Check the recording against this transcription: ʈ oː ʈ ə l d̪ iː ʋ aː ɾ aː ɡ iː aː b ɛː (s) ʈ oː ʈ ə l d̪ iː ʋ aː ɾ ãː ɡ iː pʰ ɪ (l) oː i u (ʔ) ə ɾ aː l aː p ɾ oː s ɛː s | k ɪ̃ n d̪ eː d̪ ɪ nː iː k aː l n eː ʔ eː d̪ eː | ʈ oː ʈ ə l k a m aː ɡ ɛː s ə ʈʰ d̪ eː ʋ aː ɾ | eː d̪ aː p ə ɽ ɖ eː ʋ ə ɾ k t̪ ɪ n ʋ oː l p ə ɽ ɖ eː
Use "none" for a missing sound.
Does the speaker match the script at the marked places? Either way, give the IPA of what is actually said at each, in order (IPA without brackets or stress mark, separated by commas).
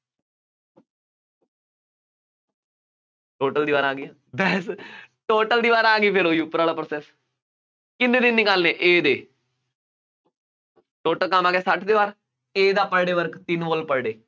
s, ɾ, p